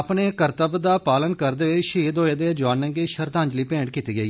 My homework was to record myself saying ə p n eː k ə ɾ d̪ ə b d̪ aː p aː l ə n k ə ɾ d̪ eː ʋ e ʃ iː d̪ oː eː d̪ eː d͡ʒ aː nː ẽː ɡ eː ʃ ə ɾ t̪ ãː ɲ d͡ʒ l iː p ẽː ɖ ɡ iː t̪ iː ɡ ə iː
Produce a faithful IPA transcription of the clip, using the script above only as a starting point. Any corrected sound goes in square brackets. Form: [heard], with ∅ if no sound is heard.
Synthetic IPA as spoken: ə p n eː k ə ɾ [t̪] ə b d̪ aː p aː l ə n k ə ɾ d̪ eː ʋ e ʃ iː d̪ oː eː d̪ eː d͡ʒ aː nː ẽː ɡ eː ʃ ə ɾ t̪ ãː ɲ d͡ʒ l iː p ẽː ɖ [k] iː t̪ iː ɡ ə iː

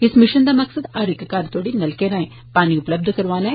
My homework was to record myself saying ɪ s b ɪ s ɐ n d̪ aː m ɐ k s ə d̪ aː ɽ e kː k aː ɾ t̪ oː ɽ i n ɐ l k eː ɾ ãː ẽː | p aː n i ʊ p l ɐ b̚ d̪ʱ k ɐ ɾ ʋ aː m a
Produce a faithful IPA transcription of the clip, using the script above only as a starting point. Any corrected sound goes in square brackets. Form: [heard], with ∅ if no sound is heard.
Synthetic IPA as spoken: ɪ s [m] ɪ [ʃ] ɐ n d̪ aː m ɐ k s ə d̪ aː [ɾ] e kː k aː ɾ t̪ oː ɽ i n ɐ l k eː ɾ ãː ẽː | p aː n i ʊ p l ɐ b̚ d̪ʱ k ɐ ɾ ʋ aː [n] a

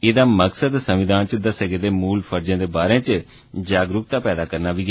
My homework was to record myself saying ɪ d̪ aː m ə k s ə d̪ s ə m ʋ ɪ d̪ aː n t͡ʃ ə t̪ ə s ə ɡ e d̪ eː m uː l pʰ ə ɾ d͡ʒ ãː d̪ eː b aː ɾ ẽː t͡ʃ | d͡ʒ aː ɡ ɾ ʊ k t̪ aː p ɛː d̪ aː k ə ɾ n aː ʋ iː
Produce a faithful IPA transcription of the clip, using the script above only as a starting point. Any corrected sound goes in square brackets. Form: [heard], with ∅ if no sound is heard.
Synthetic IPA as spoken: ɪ d̪ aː m ə k s ə d̪ s ə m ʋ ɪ d̪ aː n t͡ʃ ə [d̪] ə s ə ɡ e d̪ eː m uː l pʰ ə ɾ d͡ʒ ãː d̪ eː b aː ɾ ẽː t͡ʃ | d͡ʒ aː ɡ ɾ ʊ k t̪ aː p ɛː d̪ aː k ə ɾ n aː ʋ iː

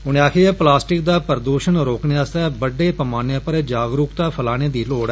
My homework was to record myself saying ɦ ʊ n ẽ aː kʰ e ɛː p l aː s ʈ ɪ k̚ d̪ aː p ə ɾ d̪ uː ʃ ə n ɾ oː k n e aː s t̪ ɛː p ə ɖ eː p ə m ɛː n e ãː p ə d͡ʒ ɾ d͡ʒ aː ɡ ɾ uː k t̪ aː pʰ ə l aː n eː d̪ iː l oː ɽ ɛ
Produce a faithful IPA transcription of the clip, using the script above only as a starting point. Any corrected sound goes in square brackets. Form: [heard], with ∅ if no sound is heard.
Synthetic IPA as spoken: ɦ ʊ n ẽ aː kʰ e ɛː p l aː s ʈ ɪ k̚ d̪ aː p ə ɾ d̪ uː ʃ ə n ɾ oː k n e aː s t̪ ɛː [b] ə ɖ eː p ə m [aː] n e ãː p ə [∅] ɾ d͡ʒ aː ɡ ɾ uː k t̪ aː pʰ ə l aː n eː d̪ iː l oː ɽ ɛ

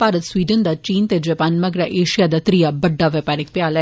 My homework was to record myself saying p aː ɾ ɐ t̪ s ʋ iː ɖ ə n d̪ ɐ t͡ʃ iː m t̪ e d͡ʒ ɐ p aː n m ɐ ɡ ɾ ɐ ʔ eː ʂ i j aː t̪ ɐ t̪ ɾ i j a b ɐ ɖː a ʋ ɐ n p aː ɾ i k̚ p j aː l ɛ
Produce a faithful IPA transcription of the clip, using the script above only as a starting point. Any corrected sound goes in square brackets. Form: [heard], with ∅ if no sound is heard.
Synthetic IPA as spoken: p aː ɾ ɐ t̪ s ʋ iː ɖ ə n d̪ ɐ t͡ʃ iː [n] t̪ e d͡ʒ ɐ p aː n m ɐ ɡ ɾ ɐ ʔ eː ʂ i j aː [d̪] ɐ t̪ ɾ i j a b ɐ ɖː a ʋ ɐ [∅] p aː ɾ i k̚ p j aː l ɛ

